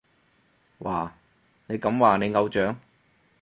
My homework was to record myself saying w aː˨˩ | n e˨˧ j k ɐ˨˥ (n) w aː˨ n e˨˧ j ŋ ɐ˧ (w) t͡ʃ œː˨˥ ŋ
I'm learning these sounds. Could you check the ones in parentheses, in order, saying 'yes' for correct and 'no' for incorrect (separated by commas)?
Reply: no, yes